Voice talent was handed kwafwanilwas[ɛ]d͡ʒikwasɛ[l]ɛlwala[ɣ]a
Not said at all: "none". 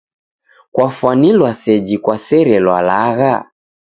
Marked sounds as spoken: ɛ, ɾ, ɣ

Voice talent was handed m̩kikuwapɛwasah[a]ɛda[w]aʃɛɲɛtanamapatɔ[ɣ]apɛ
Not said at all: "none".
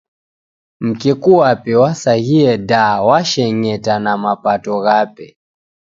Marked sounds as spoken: i, w, ɣ

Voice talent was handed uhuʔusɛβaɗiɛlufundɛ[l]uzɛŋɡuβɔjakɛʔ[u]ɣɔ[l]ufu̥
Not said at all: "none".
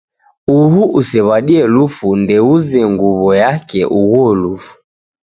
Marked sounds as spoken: none, u, l

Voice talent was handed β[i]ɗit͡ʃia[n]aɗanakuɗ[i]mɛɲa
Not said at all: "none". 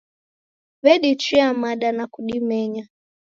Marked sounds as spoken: ɛ, m, i

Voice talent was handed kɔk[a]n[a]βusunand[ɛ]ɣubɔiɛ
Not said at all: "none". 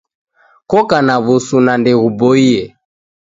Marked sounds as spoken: a, a, ɛ

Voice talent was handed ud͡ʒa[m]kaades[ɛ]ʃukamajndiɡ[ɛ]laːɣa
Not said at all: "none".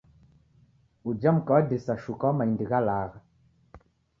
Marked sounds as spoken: m, a, a

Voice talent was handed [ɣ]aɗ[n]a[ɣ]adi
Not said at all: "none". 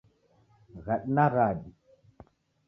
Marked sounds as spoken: ɣ, n, ɣ

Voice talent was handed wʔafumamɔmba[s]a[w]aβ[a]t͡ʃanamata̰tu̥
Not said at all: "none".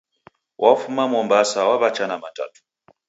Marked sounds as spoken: s, w, a

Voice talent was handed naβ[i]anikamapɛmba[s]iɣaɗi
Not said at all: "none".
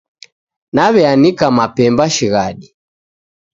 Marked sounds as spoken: ɛ, ʃ

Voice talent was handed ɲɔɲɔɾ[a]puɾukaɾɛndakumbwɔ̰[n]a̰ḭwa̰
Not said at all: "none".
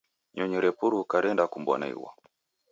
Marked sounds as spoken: ɛ, n

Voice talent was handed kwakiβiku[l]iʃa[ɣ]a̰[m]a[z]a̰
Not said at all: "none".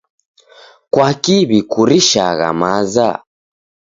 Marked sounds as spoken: ɾ, ɣ, m, z

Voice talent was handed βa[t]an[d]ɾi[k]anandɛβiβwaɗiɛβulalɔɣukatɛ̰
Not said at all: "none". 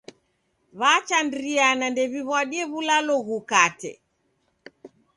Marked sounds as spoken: t͡ʃ, d, none

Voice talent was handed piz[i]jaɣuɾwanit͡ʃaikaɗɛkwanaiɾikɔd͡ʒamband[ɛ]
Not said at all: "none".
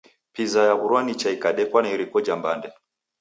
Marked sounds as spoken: a, ɛ

